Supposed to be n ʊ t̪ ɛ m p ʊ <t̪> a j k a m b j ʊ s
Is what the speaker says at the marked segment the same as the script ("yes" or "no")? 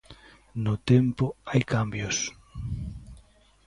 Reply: no